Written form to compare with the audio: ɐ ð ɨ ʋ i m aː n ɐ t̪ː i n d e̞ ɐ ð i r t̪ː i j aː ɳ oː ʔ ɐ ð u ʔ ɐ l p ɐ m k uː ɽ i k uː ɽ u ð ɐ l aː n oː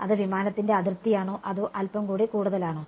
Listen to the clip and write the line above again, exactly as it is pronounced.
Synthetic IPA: ɐ ð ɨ ʋ i m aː n ɐ t̪ː i n d e̞ ɐ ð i r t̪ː i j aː ɳ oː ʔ ɐ ð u ʔ ɐ l p ɐ m k uː ɽ i k uː ɽ u ð ɐ l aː ɳ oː